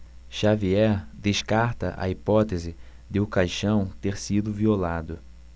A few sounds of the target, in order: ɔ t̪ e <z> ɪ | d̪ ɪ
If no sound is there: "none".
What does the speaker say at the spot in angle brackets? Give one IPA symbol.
z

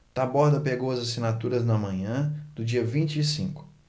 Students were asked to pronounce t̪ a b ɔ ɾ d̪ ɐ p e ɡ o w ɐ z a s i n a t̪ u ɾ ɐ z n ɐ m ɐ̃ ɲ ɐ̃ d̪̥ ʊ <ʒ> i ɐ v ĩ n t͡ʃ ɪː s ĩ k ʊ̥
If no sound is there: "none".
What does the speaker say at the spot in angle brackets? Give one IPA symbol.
d͡ʒ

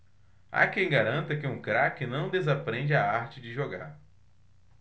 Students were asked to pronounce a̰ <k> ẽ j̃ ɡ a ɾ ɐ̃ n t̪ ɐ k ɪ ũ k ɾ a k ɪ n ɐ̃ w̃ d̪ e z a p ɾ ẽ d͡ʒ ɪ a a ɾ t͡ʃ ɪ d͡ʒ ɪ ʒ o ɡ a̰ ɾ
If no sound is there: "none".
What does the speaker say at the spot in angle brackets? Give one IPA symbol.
k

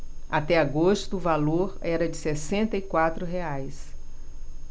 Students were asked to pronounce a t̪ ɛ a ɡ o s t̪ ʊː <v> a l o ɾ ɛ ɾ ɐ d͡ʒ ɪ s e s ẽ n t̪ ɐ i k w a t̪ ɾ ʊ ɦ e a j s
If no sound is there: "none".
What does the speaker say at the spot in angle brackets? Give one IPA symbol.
v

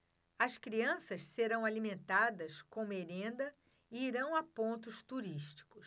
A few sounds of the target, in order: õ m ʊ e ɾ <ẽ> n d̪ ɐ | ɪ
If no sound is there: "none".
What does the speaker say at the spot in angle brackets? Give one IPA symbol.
ẽ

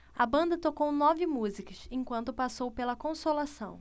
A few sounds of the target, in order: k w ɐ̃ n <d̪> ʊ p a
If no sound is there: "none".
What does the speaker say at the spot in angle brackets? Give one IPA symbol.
t̪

